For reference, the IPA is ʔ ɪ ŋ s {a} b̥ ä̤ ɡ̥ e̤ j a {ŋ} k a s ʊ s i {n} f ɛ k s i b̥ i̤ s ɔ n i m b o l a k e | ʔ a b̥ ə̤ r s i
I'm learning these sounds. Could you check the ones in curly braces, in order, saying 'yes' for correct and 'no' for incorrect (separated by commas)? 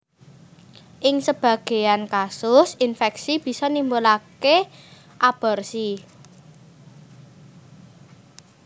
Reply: no, no, yes